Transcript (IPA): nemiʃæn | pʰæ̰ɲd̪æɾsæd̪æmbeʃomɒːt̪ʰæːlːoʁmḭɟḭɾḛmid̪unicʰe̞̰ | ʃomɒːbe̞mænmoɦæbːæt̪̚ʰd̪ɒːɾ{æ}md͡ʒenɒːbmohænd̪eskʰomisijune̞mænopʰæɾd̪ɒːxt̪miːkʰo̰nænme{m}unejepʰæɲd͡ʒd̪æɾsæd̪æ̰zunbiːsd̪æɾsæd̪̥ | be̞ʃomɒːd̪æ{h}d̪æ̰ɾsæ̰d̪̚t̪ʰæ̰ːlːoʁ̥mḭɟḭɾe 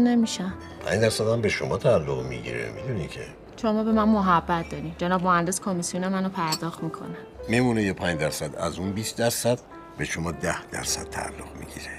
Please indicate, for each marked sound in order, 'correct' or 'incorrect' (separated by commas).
incorrect, correct, correct